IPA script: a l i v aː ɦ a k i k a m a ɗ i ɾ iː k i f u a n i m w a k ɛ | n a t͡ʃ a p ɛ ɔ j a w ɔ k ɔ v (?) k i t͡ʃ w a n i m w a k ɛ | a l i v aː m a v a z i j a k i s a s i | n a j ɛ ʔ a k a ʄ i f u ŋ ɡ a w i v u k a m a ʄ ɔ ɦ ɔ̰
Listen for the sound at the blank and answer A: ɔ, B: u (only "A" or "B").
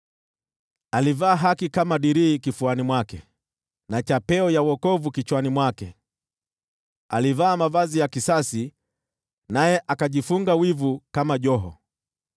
B